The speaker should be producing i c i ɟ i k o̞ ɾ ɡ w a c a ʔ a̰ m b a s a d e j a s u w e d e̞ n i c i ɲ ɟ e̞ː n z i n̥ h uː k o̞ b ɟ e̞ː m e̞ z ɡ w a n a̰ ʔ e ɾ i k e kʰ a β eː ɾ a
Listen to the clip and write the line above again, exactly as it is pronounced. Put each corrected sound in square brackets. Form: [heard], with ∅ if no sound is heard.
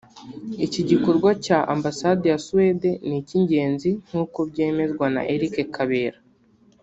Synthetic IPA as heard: i c i ɟ i k o̞ ɾ ɡ w a c a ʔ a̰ m b a s a d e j a s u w e d e̞ n i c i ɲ ɟ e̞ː n z i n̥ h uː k o̞ b ɟ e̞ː m e̞ z ɡ w a n a̰ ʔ e ɾ i k e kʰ a β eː ɾ a